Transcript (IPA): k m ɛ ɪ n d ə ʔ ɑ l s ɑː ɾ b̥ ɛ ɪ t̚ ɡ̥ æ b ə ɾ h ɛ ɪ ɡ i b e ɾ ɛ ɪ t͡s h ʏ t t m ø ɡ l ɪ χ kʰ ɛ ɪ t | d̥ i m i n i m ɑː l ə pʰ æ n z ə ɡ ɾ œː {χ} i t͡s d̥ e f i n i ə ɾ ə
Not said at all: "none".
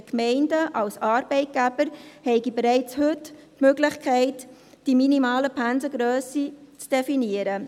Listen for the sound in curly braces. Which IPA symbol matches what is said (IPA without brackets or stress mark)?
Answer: s